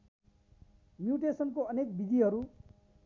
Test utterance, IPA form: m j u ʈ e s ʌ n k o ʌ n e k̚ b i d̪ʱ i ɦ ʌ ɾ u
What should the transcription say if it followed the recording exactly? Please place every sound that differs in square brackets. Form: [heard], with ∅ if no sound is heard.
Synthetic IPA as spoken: m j u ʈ e s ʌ n k o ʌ n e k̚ b i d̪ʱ i ɦ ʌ ɾ u

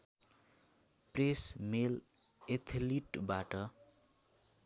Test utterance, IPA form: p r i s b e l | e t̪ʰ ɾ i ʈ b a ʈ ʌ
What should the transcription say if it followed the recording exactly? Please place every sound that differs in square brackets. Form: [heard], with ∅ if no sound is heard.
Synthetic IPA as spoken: p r [e] s [m] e l | e t̪ʰ [l] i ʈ b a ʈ ʌ

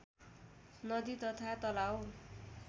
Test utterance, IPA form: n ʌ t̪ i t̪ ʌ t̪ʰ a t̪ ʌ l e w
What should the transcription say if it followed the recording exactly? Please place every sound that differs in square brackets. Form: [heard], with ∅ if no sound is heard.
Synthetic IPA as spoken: n ʌ [d̪] i t̪ ʌ t̪ʰ a t̪ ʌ l [a] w

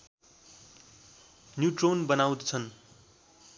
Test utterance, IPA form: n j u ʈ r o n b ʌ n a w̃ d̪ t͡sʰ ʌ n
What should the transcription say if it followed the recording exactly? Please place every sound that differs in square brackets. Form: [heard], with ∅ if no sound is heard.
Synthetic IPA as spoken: n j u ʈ r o n b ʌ n a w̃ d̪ t͡sʰ ʌ n

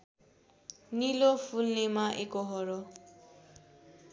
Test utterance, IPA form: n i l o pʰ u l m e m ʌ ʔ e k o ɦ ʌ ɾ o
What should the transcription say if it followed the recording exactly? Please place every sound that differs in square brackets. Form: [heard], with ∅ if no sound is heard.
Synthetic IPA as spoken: n i l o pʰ u l [n] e m [a] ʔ e k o ɦ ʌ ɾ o

